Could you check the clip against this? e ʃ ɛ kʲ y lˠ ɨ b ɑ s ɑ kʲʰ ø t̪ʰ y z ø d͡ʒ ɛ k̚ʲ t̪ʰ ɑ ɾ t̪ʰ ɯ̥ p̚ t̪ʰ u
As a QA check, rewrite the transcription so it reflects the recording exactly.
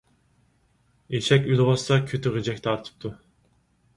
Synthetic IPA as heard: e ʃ ɛ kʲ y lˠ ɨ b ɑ s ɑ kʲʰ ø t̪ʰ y ʁ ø d͡ʒ ɛ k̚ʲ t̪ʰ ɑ ɾ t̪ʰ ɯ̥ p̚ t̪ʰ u

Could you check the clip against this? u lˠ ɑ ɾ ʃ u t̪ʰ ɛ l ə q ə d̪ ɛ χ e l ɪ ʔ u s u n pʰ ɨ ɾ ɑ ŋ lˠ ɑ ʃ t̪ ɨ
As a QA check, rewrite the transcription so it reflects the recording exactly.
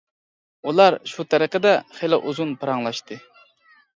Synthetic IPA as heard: u lˠ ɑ ɾ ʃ u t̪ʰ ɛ ɾ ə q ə d̪ ɛ χ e l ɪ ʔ u z u n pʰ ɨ ɾ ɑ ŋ lˠ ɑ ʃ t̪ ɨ

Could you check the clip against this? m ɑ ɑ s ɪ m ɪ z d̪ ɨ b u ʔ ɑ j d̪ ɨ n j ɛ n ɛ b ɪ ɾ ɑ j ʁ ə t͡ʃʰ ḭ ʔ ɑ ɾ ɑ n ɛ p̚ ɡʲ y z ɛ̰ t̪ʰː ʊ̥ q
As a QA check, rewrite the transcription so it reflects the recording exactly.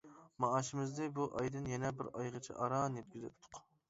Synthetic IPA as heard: m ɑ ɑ ʃ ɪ m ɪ z d̪ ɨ b u ʔ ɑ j d̪ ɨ n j ɛ n ɛ b ɪ ɾ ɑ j ʁ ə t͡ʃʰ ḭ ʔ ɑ ɾ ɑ n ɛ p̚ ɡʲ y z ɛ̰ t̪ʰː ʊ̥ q

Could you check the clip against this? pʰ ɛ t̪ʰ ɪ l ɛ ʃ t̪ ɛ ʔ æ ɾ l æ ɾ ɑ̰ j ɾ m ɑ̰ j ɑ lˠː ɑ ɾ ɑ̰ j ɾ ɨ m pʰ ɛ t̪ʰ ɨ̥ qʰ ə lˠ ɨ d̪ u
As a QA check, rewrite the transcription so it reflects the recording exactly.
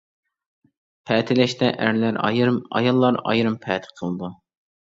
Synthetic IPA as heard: pʰ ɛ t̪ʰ ɪ l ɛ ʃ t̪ ɛ ʔ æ ɾ l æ ɾ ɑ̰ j ɾ m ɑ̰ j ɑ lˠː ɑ ɾ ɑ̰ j ɾ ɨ m pʰ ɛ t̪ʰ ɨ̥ qʰ ə lˠ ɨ d̪ u

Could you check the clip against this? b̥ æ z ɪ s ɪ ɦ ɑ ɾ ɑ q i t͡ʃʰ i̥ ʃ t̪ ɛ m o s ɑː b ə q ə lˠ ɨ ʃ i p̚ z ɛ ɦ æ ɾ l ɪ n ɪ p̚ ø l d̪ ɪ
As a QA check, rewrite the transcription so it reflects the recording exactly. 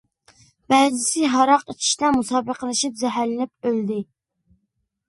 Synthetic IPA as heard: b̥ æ z ɪ s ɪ ɦ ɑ ɾ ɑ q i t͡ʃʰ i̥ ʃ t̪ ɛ m u s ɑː b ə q ə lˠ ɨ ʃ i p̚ z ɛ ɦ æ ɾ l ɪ n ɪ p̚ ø l d̪ ɪ

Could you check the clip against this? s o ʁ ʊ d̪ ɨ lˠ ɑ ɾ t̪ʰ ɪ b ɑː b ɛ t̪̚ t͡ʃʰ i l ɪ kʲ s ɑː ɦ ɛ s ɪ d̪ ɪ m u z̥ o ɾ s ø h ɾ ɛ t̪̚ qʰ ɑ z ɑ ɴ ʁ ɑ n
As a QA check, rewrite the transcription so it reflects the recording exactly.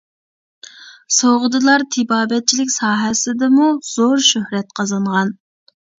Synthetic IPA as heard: s o ʁ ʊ d̪ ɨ lˠ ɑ ɾ t̪ʰ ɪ b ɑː b ɛ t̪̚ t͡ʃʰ i l ɪ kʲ s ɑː ɦ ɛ s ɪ d̪ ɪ m u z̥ o ɾ ʃ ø h ɾ ɛ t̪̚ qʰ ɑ z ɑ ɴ ʁ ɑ n

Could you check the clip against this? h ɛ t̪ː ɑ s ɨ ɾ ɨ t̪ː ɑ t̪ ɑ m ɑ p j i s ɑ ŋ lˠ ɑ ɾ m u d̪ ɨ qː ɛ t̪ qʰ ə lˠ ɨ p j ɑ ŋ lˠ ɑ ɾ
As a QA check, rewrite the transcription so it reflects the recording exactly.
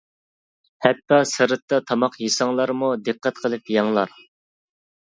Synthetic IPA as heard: h ɛ t̪ː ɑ s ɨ ɾ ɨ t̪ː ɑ t̪ʰ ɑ m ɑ q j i s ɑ ŋ lˠ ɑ ɾ m u d̪ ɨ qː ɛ t̪ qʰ ə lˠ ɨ p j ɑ ŋ lˠ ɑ ɾ

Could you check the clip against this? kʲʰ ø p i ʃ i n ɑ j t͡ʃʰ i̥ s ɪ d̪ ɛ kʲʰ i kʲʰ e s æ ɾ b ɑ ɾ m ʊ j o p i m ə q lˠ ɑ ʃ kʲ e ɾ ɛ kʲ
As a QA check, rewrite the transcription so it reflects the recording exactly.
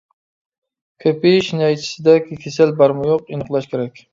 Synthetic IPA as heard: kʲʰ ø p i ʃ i n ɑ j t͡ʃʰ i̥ s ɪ d̪ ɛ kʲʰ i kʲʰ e s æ l b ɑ ɾ m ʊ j o q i n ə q lˠ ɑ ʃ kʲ e ɾ ɛ kʲ

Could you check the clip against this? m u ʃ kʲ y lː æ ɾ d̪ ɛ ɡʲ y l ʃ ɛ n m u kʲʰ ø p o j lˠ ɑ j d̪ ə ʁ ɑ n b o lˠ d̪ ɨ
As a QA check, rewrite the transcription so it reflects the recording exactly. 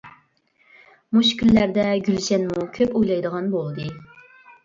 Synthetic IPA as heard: m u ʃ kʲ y lː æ ɾ d̪ ɛ ɡʲ y l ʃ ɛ n m u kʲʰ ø p o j lˠ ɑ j d̪ ə ʁ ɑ n b o lˠ d̪ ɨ

